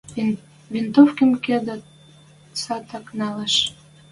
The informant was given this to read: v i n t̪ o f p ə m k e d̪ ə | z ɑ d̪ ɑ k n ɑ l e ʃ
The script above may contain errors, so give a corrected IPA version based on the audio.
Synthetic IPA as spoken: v i n t̪ o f k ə m k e d̪ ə | s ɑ t̪ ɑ k n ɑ l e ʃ